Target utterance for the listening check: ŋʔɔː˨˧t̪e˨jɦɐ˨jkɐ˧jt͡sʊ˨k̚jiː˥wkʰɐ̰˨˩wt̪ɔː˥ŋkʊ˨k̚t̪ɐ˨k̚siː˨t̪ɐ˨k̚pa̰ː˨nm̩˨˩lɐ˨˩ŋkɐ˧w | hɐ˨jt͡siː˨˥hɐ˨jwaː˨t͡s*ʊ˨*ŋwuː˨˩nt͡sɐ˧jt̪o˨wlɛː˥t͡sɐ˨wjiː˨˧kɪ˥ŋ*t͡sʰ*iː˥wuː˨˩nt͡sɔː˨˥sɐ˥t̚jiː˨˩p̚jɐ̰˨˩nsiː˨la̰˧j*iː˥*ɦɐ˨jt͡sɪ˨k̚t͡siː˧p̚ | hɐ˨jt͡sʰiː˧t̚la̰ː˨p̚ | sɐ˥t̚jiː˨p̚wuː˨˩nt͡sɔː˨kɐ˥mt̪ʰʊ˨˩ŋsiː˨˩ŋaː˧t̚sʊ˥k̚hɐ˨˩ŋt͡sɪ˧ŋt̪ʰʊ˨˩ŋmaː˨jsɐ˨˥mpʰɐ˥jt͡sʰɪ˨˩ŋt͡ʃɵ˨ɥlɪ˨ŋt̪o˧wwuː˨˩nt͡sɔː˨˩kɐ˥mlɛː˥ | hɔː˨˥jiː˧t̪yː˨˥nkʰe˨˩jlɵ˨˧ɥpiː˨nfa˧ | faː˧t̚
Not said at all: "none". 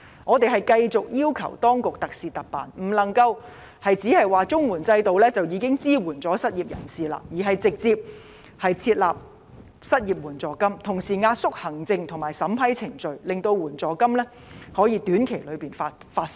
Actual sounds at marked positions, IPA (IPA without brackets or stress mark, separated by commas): ʊ˥, t͡s, iː˨˩